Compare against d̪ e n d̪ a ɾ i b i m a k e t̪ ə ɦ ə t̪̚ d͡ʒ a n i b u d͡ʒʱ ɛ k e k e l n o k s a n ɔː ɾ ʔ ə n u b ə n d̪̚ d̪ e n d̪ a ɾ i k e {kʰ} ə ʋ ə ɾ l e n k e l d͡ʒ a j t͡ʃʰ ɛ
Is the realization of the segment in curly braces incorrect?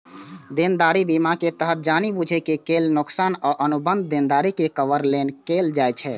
yes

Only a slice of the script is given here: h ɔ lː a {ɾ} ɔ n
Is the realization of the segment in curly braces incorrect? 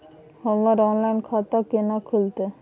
no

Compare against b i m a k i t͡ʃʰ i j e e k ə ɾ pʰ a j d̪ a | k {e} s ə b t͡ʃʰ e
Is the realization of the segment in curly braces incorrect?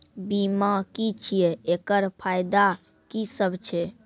yes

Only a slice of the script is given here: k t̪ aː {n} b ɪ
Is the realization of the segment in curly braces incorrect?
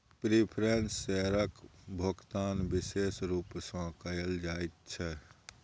no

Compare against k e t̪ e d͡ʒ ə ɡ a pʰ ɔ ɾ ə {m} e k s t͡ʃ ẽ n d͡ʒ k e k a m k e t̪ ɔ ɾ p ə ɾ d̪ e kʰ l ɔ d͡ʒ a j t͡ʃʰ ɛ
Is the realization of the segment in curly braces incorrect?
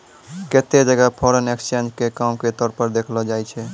yes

